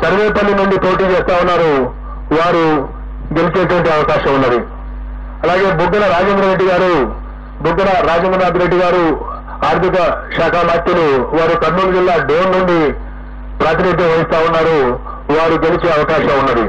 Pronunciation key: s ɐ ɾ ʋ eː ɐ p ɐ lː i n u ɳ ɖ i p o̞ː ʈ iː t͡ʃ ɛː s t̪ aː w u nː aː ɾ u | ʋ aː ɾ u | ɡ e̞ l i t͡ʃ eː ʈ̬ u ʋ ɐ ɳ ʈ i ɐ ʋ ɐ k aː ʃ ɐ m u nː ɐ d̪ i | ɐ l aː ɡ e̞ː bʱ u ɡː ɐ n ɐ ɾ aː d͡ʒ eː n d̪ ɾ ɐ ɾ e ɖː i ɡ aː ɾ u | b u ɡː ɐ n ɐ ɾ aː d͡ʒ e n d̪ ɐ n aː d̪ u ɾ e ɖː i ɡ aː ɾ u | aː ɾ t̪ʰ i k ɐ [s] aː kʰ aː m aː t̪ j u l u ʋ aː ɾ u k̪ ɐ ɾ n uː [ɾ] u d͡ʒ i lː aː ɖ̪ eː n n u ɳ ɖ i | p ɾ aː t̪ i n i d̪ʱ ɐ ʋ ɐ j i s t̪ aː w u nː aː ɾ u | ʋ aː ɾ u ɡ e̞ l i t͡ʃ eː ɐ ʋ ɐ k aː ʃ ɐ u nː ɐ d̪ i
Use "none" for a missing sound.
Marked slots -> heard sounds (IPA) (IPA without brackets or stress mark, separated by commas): ʃ, l